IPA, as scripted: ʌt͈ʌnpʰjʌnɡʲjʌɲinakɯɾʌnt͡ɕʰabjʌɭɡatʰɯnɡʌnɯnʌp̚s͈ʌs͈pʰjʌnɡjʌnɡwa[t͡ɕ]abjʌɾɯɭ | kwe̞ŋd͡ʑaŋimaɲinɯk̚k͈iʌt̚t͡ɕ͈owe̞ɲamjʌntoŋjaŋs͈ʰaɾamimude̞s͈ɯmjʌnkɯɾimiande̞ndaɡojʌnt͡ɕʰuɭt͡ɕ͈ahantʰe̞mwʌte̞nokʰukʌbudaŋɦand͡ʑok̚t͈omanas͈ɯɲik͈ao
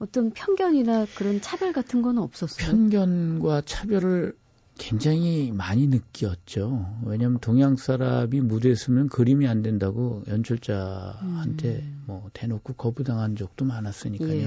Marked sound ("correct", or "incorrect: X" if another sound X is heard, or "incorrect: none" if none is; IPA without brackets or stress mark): incorrect: t͡ɕʰ